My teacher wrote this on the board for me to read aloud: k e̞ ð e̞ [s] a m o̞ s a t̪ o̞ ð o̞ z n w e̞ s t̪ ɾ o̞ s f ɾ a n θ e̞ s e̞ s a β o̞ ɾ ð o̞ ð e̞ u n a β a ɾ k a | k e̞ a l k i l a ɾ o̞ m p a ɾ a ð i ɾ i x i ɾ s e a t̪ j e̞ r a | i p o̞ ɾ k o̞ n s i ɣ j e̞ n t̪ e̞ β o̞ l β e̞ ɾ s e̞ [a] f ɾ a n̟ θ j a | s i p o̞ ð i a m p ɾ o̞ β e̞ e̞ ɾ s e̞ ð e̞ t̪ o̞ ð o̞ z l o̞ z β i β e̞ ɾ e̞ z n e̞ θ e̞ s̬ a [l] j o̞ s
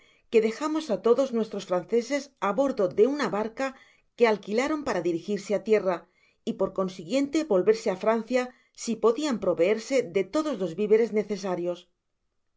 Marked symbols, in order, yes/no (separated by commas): no, yes, no